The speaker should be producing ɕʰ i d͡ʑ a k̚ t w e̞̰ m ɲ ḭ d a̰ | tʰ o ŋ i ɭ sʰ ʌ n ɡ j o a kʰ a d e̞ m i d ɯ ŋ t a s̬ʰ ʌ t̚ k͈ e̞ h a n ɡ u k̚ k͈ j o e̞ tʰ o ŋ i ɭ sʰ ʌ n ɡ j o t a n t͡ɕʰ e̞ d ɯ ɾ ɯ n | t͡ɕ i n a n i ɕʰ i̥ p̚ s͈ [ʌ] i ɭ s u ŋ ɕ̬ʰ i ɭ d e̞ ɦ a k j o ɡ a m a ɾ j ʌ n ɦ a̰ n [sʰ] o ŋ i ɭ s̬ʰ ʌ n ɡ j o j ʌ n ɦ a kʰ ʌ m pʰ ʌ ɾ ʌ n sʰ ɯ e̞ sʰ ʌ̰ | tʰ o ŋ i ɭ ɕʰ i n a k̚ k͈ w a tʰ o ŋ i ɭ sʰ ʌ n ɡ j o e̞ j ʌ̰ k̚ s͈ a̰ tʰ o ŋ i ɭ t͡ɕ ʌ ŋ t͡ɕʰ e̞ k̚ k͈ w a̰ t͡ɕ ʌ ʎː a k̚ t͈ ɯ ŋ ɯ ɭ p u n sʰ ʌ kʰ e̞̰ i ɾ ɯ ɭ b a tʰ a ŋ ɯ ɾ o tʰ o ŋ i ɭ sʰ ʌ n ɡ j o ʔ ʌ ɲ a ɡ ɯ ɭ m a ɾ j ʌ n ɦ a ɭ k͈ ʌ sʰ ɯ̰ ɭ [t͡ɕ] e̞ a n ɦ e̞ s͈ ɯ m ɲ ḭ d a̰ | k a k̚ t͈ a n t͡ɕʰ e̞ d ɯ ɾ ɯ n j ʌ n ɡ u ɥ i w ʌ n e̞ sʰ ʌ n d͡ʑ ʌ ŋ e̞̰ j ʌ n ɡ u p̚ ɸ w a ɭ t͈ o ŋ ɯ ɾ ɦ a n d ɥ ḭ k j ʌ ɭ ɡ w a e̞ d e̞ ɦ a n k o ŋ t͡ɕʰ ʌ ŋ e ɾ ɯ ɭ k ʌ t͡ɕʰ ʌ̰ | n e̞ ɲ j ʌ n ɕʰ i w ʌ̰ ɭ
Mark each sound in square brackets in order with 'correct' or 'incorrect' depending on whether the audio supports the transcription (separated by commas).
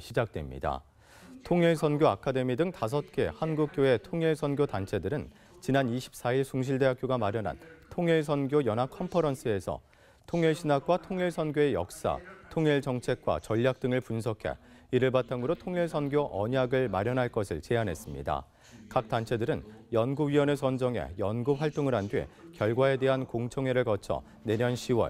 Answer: incorrect, incorrect, correct